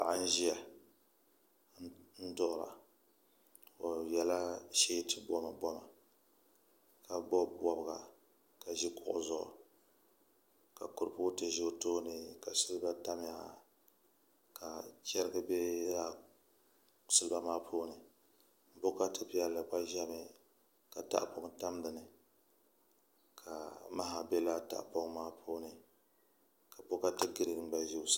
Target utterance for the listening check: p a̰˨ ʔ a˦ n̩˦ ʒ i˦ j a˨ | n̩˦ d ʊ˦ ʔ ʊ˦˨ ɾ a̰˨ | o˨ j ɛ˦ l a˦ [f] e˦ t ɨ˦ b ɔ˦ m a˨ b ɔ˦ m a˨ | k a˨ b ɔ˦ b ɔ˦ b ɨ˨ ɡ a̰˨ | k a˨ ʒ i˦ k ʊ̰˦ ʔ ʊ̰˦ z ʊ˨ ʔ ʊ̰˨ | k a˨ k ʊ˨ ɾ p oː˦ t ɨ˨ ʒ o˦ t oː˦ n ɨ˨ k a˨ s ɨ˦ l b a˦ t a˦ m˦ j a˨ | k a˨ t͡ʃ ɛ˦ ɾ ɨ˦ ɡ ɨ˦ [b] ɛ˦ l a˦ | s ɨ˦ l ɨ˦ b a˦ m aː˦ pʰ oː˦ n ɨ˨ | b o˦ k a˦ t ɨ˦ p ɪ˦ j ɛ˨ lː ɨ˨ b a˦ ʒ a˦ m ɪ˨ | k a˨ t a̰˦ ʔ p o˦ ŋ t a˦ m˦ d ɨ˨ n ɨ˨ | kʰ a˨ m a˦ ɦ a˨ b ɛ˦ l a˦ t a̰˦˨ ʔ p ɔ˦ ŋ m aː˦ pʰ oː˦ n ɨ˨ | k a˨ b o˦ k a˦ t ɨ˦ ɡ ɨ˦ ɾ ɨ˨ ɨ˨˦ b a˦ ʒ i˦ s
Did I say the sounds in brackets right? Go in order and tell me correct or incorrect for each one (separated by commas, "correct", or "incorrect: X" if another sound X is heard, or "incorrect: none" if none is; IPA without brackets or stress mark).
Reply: incorrect: ʃ, correct